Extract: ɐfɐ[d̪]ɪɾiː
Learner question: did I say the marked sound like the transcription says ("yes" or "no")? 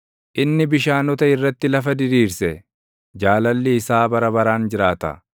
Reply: yes